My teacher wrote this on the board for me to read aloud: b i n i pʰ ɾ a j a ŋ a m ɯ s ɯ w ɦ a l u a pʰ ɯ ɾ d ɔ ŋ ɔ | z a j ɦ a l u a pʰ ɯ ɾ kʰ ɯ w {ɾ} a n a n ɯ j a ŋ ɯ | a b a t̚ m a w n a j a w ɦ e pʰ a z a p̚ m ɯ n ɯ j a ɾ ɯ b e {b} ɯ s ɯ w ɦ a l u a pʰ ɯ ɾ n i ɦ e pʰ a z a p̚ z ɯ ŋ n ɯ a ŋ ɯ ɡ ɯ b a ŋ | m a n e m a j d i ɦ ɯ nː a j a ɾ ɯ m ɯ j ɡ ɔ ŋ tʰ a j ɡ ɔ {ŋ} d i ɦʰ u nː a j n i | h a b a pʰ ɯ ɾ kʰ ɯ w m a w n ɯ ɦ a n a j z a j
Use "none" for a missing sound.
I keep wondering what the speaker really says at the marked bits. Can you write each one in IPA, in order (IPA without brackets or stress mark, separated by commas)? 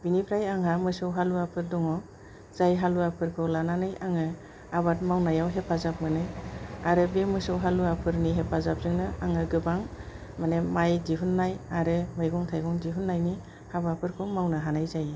l, m, ŋ